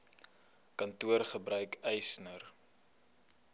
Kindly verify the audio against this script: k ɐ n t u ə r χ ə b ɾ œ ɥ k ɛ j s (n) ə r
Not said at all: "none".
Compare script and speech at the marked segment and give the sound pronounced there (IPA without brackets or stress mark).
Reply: n